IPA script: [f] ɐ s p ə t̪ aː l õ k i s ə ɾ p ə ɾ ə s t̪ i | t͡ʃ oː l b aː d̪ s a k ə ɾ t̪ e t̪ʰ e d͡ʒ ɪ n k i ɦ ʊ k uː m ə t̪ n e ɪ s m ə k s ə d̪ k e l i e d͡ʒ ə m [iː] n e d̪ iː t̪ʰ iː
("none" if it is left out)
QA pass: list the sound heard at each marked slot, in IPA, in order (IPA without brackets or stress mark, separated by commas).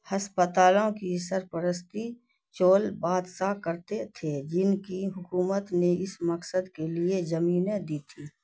h, iː